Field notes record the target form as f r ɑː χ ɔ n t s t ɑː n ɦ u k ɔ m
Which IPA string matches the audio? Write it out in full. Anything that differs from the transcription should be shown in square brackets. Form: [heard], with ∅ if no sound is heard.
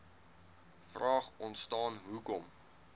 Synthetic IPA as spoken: f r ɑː χ ɔ n t s t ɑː n ɦ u k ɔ m